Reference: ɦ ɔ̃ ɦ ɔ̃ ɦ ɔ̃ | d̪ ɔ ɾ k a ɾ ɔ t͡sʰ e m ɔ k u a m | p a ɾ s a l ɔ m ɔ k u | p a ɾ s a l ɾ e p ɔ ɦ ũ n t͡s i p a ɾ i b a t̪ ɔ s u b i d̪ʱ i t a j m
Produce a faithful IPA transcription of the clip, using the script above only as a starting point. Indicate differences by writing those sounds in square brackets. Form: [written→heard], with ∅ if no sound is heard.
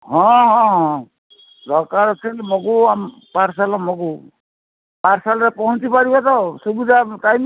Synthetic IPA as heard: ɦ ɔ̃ ɦ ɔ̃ ɦ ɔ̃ | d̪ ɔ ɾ k a ɾ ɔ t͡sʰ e m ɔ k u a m | p a ɾ s a l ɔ m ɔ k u | p a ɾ s a l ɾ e p ɔ ɦ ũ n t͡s i p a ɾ i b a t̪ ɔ s u b i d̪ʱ [i→a] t a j m